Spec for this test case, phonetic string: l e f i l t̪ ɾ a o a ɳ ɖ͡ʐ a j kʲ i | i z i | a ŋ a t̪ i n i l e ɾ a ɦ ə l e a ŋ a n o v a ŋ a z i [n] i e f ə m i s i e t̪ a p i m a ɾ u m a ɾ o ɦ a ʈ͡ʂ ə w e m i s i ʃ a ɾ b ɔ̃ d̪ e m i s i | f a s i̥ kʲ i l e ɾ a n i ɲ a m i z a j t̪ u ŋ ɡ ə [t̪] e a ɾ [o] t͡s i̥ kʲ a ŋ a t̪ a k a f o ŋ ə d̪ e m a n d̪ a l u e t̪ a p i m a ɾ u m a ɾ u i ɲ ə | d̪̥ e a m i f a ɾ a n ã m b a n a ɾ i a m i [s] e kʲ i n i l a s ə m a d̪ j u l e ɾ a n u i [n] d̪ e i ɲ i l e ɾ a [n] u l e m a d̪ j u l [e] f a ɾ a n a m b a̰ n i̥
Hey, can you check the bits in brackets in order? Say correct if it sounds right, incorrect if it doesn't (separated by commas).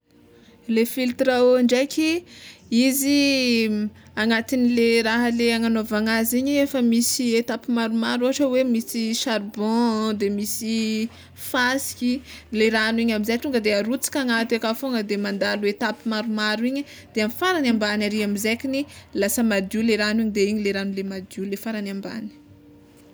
incorrect, incorrect, incorrect, incorrect, incorrect, correct, correct